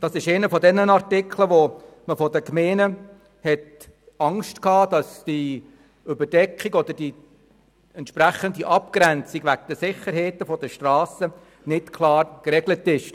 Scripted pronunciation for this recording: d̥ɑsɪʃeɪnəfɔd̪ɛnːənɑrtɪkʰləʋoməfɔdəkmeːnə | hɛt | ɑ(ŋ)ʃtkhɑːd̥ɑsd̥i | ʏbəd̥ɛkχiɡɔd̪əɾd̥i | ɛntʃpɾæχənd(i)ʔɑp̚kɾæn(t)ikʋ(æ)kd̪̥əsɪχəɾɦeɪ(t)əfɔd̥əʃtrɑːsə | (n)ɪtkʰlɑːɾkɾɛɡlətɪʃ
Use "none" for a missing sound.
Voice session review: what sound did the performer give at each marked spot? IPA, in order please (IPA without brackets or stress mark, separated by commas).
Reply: ŋ, i, t͡s, æ, t, n